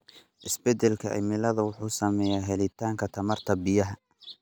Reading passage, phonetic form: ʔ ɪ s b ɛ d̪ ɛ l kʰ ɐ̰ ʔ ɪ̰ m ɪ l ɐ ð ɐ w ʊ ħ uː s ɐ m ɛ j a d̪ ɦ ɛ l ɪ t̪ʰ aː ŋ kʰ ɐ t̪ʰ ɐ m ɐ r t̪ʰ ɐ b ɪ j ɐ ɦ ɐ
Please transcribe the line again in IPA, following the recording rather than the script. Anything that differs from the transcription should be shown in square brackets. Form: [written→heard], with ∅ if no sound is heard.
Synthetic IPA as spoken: ʔ ɪ s b ɛ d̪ ɛ l kʰ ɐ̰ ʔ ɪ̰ m ɪ l ɐ ð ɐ w ʊ ħ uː s ɐ m ɛ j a [d̪→∅] ɦ ɛ l ɪ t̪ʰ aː ŋ kʰ ɐ t̪ʰ ɐ m ɐ r t̪ʰ ɐ b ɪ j ɐ ɦ ɐ